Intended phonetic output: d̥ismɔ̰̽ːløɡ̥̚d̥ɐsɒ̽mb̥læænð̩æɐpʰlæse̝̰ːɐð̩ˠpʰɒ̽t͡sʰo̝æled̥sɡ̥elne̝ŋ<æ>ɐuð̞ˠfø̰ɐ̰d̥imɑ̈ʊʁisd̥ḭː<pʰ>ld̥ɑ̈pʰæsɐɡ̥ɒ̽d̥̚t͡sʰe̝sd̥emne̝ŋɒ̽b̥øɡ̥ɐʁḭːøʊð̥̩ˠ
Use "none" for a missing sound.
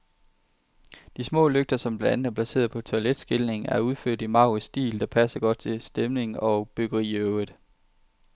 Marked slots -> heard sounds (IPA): æ, none

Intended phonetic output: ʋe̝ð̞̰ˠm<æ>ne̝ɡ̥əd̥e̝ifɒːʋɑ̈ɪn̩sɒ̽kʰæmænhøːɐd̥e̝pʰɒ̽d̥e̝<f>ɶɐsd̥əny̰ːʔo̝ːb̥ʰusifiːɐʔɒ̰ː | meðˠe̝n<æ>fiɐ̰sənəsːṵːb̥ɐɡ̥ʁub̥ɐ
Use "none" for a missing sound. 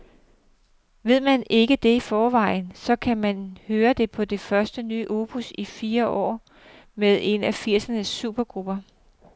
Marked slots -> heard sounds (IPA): æ, f, æ

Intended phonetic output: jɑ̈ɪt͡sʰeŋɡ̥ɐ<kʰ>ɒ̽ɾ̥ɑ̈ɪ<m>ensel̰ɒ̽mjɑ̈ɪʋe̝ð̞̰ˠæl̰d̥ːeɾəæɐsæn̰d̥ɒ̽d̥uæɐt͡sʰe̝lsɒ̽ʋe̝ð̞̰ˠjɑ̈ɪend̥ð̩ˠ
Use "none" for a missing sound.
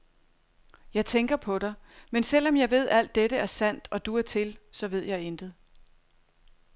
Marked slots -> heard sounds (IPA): pʰ, m

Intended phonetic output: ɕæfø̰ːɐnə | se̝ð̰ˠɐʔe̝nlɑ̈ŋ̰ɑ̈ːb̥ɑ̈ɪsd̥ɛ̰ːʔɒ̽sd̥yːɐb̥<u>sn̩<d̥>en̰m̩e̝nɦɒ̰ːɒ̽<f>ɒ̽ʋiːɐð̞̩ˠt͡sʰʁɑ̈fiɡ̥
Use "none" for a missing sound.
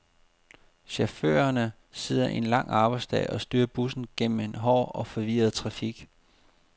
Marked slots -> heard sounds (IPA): u, ɡ̥, f

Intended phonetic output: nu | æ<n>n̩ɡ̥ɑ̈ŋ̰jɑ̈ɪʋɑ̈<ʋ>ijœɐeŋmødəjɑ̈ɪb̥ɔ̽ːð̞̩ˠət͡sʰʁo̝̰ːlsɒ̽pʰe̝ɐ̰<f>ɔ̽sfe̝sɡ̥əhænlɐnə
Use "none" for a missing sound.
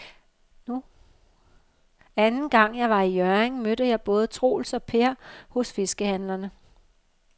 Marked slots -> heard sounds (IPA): n, none, h

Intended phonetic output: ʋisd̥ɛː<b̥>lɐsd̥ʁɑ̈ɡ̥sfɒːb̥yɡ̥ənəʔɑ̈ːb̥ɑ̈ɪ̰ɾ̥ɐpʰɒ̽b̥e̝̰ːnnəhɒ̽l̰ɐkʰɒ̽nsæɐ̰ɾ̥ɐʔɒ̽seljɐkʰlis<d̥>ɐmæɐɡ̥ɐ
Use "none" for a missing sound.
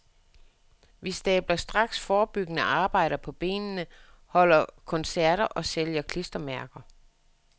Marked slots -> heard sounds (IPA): b̥, d̥

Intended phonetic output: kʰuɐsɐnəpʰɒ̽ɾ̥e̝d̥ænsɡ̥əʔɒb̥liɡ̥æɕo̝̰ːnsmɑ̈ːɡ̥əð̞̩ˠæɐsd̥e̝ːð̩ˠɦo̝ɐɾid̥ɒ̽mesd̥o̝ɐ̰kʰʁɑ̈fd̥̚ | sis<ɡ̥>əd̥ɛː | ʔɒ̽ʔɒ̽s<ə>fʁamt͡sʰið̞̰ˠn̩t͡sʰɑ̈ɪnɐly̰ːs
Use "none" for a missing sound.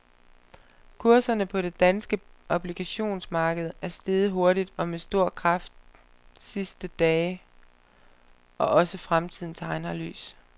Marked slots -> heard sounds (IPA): d̥, ə

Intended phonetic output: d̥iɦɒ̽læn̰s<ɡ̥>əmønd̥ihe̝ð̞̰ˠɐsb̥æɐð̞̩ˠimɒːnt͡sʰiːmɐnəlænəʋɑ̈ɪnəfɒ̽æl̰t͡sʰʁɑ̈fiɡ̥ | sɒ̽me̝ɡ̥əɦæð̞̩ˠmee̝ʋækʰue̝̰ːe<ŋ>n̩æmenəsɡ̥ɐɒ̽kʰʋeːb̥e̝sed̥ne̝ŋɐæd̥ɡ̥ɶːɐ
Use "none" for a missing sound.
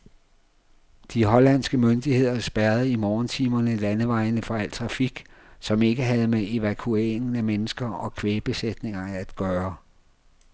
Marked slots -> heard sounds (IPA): ɡ̥, ŋ

